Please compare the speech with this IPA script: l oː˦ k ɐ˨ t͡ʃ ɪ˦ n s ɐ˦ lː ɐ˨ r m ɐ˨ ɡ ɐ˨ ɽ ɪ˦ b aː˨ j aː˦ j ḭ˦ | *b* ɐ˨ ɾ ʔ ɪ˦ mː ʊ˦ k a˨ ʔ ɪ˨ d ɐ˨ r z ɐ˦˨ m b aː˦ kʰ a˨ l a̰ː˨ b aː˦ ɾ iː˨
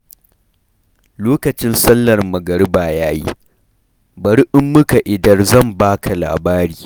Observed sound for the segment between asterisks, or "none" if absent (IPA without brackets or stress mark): b